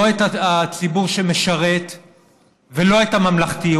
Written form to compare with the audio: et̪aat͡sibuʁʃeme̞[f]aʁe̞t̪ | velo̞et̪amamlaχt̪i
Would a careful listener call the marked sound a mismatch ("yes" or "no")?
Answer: yes